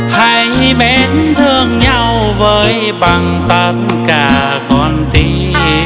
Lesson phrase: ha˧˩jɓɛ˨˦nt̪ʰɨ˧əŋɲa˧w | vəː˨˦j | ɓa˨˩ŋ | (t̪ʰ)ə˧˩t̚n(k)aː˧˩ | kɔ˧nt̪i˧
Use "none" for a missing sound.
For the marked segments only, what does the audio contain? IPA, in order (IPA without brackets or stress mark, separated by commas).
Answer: t̪, k